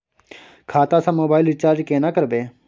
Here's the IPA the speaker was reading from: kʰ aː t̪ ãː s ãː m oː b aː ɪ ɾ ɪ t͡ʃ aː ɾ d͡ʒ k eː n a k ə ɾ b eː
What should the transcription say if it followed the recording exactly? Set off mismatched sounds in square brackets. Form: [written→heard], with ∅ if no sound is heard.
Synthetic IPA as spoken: kʰ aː t̪ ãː s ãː m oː b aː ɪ [ɾ→l] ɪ t͡ʃ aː ɾ d͡ʒ k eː n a k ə ɾ b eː